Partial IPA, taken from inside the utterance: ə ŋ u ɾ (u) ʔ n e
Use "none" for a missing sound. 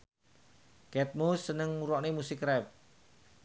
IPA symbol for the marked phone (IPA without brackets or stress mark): ɔ